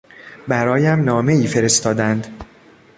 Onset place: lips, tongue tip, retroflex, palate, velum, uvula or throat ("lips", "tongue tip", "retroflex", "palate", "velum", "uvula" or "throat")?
lips